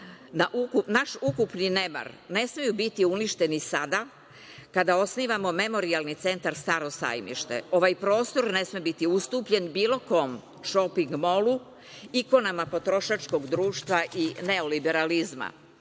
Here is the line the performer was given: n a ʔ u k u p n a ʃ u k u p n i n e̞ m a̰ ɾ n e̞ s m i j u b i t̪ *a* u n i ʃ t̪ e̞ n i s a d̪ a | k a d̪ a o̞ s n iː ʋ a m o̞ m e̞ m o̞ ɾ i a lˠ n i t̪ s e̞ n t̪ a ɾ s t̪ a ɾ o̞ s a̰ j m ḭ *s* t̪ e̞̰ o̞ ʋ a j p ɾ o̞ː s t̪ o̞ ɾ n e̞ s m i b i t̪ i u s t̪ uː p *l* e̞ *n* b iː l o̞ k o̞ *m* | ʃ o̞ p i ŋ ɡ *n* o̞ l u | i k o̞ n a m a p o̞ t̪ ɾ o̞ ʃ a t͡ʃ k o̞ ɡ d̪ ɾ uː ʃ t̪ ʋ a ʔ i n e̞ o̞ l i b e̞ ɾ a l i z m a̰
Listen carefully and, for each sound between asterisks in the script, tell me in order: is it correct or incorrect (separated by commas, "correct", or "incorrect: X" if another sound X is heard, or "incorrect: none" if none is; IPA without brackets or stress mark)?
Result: incorrect: i, incorrect: ʃ, incorrect: ʎ, correct, correct, incorrect: m